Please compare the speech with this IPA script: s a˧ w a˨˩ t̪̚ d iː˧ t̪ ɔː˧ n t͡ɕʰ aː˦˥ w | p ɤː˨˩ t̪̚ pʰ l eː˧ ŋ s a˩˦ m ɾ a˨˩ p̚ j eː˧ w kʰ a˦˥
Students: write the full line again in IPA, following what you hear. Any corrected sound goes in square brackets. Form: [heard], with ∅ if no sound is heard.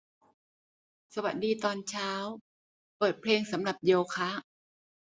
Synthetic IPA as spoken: s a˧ w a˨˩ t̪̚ d iː˧ t̪ ɔː˧ n t͡ɕʰ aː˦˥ w | p ɤː˨˩ t̪̚ pʰ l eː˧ ŋ s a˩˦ m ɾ a˨˩ p̚ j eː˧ w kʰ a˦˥